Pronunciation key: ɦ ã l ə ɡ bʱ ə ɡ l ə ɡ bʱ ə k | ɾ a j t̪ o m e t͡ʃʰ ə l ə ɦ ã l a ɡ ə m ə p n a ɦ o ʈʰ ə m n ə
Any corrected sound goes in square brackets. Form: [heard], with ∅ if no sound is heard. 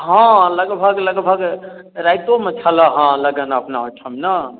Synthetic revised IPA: ɦ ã l ə ɡ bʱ ə ɡ l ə ɡ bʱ ə [ɡ] | ɾ a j t̪ o m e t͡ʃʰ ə l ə ɦ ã l [ə] ɡ ə [n] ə p n a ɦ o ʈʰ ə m n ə